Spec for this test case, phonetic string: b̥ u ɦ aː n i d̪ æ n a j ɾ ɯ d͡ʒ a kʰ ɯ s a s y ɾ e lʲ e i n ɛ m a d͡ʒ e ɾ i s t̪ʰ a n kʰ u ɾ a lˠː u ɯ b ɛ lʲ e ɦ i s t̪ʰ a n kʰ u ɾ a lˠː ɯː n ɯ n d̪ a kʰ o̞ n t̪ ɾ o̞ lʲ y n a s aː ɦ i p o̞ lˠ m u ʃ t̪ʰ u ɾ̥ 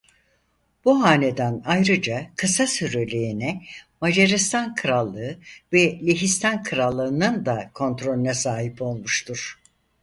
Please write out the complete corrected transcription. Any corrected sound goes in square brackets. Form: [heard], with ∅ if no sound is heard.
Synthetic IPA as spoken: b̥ u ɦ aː n [e] d̪ æ n a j ɾ ɯ d͡ʒ a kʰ ɯ s a s y ɾ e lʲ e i n ɛ m a d͡ʒ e ɾ i s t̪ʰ a n kʰ [ɯ] ɾ a lˠː [ɯ] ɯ [v] ɛ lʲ e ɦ i s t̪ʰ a n kʰ [ɯ] ɾ a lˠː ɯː n ɯ n d̪ a kʰ o̞ n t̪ ɾ o̞ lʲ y n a s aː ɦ i p o̞ lˠ m u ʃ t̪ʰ u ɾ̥